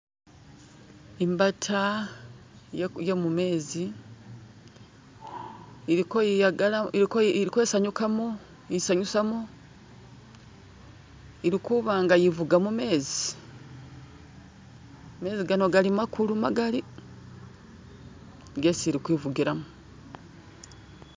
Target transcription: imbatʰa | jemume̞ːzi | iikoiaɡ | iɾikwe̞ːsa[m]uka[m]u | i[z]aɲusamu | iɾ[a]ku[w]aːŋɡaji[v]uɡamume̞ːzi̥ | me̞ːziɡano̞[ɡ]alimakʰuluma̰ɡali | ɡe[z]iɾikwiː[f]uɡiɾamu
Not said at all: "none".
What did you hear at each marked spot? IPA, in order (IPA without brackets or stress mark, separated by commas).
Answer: ɲ, m, s, i, β, v, ɡ, s, v